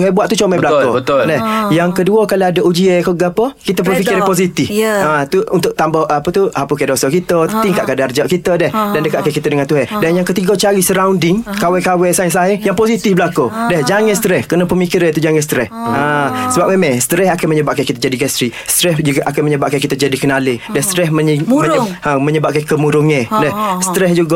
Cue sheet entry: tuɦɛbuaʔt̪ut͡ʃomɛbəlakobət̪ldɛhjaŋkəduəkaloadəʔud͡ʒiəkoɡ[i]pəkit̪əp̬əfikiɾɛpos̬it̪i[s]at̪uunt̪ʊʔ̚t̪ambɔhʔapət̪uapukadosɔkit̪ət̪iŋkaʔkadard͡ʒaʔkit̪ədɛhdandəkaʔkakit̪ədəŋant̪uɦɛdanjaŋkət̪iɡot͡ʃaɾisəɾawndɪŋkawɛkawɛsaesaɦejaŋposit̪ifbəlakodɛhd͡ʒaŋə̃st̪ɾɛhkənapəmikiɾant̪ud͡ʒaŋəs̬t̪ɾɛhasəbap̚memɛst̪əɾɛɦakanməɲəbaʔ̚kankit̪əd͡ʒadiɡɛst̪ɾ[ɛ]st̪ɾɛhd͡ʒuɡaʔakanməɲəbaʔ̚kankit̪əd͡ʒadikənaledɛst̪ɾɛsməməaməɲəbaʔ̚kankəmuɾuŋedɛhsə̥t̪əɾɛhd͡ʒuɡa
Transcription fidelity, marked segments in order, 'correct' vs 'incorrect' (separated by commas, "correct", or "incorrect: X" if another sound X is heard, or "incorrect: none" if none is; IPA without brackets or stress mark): incorrect: a, incorrect: f, incorrect: i